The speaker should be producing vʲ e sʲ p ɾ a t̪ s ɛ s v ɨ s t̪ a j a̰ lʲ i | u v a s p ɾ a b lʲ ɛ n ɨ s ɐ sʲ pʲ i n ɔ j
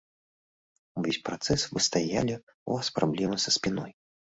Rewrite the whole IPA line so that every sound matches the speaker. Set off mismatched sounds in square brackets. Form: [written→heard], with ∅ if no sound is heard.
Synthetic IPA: vʲ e sʲ p ɾ a t̪ s ɛ s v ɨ s t̪ a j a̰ lʲ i | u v a s p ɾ a b lʲ ɛ [n→m] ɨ s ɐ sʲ pʲ i n ɔ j